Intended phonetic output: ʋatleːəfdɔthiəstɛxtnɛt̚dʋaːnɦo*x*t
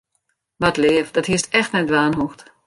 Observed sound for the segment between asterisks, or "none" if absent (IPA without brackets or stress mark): x